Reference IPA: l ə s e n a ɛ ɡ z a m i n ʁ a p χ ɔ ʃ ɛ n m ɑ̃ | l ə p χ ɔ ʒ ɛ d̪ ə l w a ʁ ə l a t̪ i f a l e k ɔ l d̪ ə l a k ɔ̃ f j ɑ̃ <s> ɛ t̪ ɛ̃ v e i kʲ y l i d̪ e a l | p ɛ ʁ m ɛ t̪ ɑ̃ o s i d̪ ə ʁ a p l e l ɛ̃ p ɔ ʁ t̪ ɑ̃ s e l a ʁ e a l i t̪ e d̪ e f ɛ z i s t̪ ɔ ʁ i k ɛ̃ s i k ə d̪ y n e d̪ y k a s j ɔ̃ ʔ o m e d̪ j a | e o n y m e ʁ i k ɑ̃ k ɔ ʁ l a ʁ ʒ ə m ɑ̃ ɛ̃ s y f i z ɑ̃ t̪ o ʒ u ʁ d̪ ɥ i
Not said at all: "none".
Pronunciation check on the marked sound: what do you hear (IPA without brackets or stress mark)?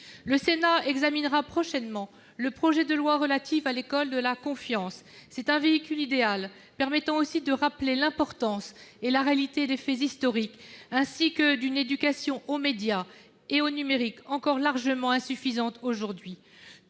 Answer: sː